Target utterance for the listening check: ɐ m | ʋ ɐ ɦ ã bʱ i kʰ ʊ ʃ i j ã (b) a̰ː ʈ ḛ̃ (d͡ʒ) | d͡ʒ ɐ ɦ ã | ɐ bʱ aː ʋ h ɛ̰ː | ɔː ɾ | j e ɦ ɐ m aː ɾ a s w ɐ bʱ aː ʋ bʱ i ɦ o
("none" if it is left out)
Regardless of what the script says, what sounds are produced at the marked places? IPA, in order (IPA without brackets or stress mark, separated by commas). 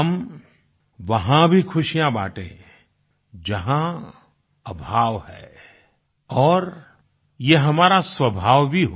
b, none